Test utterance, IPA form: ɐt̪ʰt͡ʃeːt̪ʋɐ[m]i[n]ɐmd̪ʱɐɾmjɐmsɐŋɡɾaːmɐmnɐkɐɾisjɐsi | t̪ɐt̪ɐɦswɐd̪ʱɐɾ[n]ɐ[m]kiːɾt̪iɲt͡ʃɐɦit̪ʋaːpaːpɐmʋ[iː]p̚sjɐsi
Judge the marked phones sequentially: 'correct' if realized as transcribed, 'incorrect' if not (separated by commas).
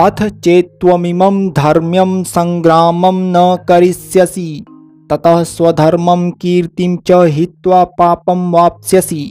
correct, incorrect, incorrect, correct, incorrect